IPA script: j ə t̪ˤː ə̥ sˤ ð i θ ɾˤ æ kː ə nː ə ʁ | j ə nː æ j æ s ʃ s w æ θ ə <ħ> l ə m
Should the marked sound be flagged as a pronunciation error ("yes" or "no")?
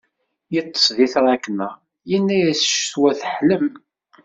no